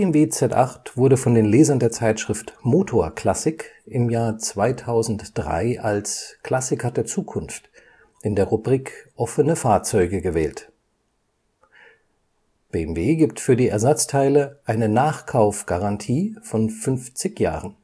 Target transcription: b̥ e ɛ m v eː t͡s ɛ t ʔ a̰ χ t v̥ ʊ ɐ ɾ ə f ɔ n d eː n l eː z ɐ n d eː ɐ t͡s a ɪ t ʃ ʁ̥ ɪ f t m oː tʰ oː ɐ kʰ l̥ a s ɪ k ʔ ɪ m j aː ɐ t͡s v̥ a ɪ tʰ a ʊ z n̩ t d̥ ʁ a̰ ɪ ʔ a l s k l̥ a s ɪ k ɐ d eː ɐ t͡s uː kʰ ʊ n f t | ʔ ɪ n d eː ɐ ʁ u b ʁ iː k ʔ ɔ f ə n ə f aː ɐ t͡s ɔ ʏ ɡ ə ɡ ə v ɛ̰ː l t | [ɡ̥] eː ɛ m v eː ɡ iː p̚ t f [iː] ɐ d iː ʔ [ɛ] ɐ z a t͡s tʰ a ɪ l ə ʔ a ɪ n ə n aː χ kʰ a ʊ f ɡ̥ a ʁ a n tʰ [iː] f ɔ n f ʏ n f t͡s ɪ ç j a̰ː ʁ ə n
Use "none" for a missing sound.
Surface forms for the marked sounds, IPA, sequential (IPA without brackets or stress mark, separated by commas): b̥, yː, ɛ, iː